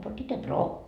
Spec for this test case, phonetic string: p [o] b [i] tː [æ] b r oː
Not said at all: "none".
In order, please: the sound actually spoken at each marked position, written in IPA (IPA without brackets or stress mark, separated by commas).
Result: o, i, e